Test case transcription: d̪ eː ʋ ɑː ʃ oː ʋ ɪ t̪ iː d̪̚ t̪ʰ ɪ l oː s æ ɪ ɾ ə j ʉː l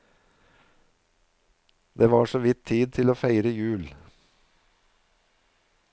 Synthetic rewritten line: d̪ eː ʋ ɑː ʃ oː ʋ ɪ t̪ʰ iː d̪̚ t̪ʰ ɪ l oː f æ ɪ ɾ ə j ʉː l